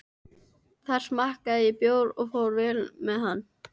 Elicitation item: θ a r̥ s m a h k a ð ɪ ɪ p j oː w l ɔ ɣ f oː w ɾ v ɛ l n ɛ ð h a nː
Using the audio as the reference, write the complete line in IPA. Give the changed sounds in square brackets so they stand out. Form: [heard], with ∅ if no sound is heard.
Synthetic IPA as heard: θ a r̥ s m a h k a ð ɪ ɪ p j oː w [ɾ] ɔ ɣ f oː w ɾ v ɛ l [m] ɛ ð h a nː